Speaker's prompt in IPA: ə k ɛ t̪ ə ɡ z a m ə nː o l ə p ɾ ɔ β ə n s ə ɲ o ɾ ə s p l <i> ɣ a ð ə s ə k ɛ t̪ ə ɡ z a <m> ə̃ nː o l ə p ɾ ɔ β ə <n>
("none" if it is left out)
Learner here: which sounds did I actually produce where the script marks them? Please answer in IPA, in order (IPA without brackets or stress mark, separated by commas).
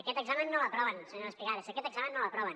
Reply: i, m, n